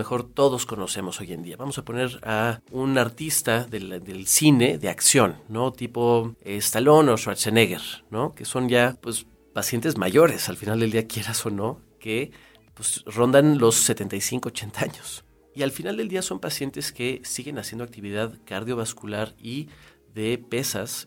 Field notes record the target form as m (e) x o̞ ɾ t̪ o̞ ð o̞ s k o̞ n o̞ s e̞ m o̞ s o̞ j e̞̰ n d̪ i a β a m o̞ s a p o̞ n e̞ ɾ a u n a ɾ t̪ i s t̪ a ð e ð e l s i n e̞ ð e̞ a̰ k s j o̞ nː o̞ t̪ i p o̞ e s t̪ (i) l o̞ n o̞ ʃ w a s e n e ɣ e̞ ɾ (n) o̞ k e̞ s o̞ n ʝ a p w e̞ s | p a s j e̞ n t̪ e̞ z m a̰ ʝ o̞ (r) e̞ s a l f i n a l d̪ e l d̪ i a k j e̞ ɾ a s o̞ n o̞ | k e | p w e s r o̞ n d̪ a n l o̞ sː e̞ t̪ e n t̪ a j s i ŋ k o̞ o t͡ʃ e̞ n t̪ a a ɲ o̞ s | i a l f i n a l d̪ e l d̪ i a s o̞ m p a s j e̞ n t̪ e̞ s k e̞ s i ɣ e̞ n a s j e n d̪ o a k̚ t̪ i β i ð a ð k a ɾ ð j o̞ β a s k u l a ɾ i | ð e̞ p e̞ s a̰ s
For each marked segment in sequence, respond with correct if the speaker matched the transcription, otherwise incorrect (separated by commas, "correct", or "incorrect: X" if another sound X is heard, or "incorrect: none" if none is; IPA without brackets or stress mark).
correct, incorrect: a, correct, incorrect: ɾ